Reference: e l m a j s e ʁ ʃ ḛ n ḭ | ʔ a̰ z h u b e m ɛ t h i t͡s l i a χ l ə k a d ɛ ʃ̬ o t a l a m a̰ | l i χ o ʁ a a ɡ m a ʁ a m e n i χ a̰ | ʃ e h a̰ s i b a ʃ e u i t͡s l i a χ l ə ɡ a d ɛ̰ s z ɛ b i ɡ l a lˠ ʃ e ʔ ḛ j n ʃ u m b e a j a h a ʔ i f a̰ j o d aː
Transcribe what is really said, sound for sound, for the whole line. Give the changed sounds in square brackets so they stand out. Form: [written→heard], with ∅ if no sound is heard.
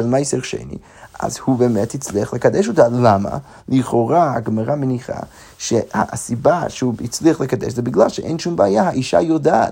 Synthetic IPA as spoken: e l m a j s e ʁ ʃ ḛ n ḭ | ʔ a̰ z h u b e m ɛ t h i t͡s l i a χ l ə k a d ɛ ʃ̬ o t a l a m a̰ | l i χ o ʁ a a ɡ m a ʁ a m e n i χ a̰ | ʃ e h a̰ s i b a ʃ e u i t͡s l i a χ l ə [ɡ→k] a d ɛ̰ [s→ʃ] z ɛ b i ɡ l a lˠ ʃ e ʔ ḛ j n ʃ u m b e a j a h a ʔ i [f→ʃ] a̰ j o d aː